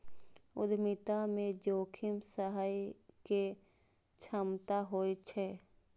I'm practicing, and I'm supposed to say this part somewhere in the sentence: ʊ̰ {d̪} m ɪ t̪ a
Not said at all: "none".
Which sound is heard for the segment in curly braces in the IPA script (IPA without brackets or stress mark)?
d̪